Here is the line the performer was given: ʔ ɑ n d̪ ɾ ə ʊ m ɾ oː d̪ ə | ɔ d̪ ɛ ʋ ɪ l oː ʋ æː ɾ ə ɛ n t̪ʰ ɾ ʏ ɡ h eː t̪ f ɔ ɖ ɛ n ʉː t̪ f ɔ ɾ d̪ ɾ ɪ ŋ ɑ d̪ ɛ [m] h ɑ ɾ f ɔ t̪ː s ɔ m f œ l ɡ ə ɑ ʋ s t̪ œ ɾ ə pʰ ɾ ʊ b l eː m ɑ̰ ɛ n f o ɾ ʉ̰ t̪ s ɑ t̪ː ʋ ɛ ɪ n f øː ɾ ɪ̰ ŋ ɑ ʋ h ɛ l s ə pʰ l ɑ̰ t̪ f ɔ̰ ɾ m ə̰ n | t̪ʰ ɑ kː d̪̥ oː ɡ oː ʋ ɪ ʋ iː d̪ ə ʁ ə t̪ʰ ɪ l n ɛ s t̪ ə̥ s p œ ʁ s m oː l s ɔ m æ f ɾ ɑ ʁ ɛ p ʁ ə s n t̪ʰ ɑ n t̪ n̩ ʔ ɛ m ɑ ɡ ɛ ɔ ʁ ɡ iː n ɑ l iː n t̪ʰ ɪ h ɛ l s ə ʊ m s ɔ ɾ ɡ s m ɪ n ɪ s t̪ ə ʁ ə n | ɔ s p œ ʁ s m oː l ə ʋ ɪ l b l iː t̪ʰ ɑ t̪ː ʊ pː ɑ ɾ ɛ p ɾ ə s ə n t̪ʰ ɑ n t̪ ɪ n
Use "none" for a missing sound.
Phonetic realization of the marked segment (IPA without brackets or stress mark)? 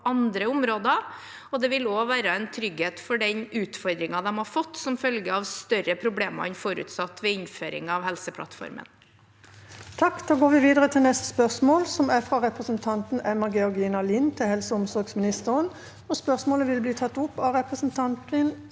m